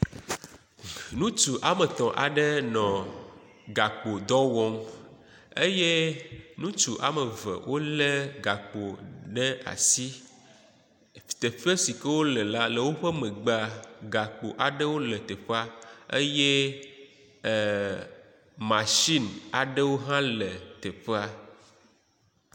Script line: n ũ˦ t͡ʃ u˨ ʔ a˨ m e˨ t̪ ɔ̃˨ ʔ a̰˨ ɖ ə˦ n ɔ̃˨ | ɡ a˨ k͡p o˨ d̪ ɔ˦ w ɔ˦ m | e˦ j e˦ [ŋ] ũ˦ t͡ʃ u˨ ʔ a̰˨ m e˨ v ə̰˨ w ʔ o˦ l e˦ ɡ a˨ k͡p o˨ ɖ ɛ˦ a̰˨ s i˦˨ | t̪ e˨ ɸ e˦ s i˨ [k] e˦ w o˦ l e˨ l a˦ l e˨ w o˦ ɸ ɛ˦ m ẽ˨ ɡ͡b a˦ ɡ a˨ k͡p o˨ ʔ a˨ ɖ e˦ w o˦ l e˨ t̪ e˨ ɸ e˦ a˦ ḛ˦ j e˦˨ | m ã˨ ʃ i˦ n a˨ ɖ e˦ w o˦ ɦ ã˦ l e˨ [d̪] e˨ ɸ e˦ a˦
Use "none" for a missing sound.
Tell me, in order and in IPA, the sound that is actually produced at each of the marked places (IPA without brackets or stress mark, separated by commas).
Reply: n, k, t̪